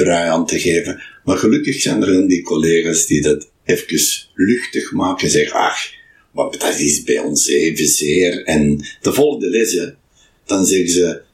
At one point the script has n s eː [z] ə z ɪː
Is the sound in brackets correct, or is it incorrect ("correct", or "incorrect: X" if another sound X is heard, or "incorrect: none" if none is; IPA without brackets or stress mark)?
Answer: incorrect: v